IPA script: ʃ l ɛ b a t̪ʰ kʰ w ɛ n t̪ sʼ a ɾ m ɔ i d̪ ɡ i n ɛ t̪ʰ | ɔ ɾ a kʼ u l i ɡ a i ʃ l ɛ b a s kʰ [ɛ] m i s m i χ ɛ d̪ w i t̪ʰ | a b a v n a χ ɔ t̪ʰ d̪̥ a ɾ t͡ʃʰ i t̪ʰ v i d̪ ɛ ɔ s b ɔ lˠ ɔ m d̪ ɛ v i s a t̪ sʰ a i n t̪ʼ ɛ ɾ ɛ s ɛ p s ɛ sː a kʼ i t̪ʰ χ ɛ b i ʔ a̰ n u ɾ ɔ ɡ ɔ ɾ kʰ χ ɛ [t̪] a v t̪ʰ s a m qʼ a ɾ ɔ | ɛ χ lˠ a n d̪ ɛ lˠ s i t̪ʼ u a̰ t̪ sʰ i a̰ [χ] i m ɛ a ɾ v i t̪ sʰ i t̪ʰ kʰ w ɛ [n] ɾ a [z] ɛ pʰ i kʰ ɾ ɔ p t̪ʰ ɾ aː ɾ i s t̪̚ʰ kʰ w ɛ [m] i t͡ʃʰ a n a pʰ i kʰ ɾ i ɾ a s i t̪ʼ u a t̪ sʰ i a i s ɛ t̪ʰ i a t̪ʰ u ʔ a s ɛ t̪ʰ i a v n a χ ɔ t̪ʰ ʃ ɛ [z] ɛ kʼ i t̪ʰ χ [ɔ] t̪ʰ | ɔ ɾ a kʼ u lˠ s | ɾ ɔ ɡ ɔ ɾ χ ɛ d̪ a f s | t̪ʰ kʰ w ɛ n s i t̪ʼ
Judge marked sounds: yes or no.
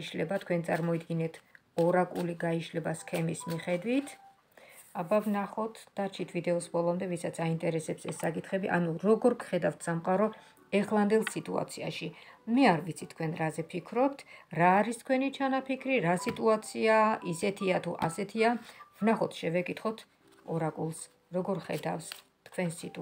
yes, no, no, yes, yes, no, no, yes

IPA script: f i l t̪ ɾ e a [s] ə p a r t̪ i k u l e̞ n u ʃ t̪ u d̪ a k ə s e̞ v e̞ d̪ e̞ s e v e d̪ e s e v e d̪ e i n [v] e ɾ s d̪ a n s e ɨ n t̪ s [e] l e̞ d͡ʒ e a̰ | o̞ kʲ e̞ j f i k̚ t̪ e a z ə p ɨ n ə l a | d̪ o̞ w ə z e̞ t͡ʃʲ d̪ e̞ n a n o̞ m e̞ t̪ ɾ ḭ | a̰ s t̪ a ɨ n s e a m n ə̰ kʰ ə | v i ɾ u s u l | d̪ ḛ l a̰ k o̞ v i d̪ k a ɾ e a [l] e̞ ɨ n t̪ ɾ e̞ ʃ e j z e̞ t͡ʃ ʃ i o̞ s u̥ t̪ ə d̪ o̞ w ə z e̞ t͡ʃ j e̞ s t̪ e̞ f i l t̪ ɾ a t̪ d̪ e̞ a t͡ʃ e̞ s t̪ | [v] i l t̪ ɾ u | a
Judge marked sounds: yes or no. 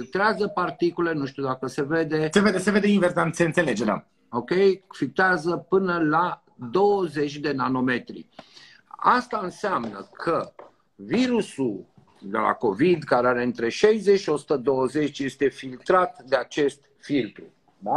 no, yes, yes, no, no

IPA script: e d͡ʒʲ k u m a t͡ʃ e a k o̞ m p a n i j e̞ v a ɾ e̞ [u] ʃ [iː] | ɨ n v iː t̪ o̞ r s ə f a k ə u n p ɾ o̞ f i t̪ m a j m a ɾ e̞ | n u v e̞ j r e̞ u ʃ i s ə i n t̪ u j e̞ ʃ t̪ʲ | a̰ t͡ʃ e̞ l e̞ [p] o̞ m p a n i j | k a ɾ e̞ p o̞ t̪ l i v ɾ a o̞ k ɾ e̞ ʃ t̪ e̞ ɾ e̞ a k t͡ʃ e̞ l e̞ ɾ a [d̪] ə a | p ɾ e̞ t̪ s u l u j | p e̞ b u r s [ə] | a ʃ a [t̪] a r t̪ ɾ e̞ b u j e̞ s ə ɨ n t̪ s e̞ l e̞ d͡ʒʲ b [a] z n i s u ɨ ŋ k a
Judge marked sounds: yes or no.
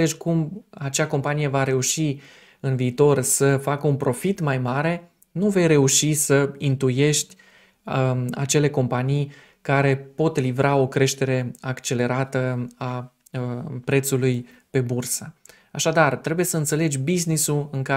yes, no, no, no, yes, no, no

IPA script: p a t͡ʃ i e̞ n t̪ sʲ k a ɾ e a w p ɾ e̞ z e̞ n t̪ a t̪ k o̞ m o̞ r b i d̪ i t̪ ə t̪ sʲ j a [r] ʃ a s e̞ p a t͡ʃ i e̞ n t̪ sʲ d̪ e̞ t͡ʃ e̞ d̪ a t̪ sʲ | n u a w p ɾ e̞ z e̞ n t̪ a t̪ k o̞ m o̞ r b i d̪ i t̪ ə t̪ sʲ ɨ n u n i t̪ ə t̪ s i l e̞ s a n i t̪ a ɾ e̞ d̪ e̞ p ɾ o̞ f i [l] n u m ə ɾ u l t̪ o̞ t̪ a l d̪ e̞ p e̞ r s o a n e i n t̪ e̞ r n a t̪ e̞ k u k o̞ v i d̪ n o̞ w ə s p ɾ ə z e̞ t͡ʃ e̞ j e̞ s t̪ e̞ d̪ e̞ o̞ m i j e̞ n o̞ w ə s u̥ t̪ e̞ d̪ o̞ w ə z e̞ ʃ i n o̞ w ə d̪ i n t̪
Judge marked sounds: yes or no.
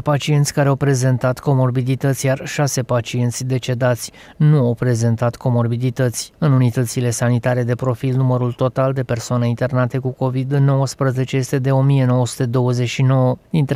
yes, yes

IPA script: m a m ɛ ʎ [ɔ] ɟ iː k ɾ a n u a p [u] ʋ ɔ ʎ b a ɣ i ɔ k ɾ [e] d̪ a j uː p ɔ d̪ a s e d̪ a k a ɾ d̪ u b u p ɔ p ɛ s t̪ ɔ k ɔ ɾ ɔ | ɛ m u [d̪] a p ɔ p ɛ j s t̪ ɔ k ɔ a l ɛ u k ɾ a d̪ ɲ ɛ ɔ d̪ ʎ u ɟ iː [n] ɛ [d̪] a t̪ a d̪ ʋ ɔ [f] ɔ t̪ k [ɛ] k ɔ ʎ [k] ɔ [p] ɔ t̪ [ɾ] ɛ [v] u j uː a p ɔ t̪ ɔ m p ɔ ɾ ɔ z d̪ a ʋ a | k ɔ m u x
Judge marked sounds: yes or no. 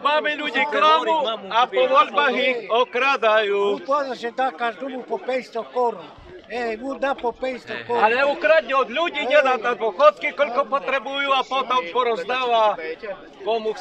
no, no, no, yes, no, yes, no, no, yes, yes, yes, no

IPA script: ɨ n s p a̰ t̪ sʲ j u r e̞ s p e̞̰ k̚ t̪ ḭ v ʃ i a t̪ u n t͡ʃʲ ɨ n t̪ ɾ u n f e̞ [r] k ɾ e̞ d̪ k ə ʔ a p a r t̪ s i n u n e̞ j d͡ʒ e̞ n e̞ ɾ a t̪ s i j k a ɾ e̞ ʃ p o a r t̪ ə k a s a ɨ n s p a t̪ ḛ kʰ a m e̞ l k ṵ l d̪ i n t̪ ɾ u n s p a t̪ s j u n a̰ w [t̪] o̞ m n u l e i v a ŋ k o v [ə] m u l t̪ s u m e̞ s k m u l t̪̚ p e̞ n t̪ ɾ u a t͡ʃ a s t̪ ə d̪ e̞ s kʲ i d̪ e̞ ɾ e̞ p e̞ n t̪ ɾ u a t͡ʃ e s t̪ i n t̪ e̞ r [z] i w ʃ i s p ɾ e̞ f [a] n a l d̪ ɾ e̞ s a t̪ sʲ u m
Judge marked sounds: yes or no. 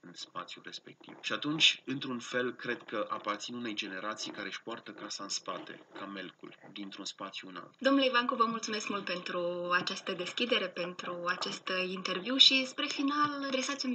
no, no, yes, no, no

